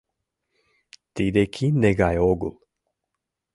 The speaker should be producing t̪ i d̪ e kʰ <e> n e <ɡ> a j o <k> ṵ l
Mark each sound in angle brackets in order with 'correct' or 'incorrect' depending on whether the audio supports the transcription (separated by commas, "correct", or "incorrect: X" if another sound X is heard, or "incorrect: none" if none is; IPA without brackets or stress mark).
incorrect: i, correct, incorrect: ɡ